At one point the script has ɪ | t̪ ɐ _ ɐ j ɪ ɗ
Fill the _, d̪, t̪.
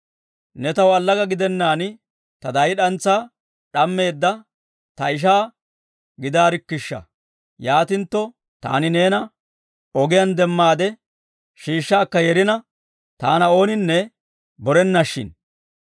d̪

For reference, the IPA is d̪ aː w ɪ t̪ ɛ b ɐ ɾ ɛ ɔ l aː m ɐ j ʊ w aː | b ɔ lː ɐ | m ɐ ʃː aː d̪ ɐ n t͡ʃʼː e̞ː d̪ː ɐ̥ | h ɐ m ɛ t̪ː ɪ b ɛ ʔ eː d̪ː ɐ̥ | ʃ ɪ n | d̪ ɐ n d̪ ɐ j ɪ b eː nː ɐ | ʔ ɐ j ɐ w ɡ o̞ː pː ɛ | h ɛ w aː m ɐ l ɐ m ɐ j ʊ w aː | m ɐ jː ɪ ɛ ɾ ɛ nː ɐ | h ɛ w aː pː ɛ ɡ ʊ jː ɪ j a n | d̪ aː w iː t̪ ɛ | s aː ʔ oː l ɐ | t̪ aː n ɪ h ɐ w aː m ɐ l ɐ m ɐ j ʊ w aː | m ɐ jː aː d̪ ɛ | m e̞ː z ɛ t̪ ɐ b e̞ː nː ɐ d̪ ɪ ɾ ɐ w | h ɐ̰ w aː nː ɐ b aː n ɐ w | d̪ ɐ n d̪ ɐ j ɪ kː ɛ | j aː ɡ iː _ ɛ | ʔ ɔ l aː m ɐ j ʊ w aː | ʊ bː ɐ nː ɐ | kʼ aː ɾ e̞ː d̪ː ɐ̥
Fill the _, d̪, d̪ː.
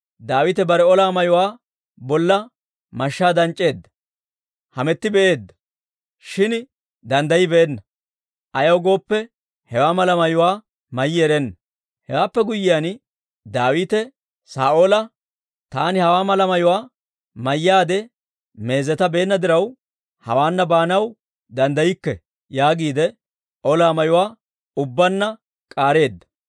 d̪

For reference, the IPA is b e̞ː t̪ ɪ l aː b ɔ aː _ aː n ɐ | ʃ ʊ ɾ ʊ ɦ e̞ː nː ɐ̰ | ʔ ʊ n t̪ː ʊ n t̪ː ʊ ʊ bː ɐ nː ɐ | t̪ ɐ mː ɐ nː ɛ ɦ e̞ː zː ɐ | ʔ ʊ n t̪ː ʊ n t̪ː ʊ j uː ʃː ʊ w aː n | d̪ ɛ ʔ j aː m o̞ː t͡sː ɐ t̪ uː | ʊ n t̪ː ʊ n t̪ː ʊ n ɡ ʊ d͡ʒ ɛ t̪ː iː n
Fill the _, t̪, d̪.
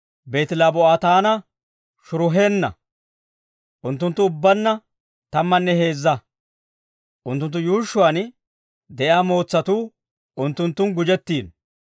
t̪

